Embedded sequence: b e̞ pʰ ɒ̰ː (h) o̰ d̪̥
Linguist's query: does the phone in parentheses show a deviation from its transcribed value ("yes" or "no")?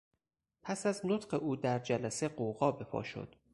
yes